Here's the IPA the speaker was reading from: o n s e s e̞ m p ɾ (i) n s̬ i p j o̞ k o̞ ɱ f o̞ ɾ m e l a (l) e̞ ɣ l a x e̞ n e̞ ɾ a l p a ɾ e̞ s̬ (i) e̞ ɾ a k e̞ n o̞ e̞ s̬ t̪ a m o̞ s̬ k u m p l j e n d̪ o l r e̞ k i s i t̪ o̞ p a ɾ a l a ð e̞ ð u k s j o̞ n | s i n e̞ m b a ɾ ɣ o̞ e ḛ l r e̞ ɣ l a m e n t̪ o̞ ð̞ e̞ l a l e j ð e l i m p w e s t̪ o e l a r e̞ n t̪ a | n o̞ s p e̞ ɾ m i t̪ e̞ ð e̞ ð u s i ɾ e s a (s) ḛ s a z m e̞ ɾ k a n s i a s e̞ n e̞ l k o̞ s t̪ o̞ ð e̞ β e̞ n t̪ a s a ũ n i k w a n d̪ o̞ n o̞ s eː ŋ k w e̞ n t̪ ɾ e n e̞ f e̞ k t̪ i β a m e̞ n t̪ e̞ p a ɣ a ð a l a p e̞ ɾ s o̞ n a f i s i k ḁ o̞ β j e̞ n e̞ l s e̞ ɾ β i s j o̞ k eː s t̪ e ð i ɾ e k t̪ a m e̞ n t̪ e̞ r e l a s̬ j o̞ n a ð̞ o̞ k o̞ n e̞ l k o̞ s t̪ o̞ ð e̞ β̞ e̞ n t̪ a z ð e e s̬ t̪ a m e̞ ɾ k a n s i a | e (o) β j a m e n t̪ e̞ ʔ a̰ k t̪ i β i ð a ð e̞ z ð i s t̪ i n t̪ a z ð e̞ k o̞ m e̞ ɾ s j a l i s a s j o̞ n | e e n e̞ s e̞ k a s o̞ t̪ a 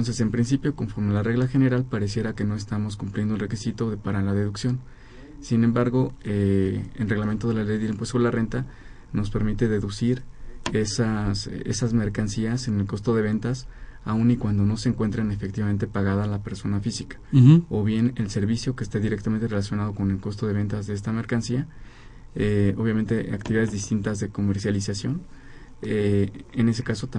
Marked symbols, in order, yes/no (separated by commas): yes, no, no, yes, yes